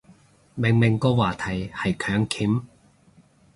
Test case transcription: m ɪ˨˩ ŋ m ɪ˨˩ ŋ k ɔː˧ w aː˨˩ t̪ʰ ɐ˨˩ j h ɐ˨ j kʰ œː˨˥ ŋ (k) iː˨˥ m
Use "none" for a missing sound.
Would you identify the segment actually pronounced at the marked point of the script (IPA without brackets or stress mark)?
kʰ